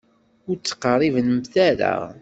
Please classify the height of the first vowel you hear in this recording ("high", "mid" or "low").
high